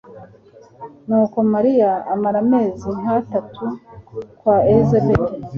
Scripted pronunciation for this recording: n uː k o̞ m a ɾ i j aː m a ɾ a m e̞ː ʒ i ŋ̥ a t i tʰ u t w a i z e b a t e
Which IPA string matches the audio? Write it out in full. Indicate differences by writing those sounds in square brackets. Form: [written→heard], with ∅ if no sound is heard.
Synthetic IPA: n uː k o̞ m a ɾ i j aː m a ɾ a m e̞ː [ʒ→z] i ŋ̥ a t [i→a] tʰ u [t→k] w a [i→e] z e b [a→e] t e